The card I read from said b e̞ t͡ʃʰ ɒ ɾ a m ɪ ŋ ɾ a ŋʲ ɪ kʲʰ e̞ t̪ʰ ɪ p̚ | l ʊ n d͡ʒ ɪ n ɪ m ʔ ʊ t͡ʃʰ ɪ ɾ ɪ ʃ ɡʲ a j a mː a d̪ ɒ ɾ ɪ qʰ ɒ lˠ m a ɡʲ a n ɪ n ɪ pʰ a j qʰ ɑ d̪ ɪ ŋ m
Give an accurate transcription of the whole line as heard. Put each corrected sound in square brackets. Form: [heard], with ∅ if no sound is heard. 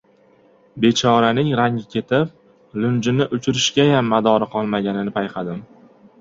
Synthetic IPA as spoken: b e̞ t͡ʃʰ ɒ ɾ a [n] ɪ ŋ ɾ a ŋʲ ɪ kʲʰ e̞ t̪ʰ ɪ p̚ | l ʊ n d͡ʒ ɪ n ɪ [∅] ʔ ʊ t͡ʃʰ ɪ ɾ ɪ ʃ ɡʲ a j a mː a d̪ ɒ ɾ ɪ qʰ ɒ lˠ m a ɡʲ a n ɪ n ɪ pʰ a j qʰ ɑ d̪ ɪ [∅] m